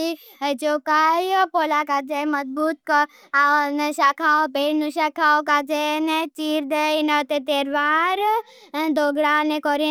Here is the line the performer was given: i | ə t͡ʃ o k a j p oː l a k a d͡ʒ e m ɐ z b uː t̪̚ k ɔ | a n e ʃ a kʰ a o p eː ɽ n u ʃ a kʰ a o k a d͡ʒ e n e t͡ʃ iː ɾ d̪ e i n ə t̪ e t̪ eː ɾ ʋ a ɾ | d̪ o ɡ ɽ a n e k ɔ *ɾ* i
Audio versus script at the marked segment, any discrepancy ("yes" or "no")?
no